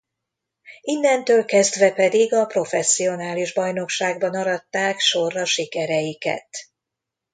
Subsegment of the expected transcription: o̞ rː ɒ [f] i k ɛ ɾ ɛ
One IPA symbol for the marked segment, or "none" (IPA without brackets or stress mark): ʃ